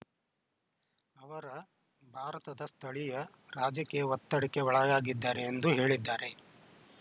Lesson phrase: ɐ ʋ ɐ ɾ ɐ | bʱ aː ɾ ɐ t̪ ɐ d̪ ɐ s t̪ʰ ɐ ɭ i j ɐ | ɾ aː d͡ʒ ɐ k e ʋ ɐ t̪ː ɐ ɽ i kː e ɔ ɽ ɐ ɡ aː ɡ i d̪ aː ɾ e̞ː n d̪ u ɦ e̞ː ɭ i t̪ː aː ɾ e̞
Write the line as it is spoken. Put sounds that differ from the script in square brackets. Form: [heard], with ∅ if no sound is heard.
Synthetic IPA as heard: ɐ ʋ ɐ ɾ ɐ | bʱ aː ɾ ɐ t̪ ɐ d̪ ɐ s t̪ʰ ɐ ɭ i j ɐ | ɾ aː d͡ʒ ɐ k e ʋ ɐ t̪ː ɐ ɽ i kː e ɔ [ɭ] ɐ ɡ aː ɡ i [d̪ː] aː ɾ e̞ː n d̪ u ɦ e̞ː ɭ i [d̪ː] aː ɾ e̞